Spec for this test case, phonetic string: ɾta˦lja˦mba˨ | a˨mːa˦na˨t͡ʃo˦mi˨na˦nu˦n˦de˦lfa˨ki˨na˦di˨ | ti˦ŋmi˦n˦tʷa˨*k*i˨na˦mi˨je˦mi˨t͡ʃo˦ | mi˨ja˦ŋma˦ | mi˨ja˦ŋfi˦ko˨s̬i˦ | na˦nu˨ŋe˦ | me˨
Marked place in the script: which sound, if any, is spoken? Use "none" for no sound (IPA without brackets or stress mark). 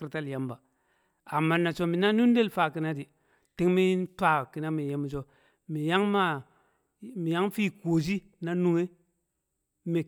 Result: k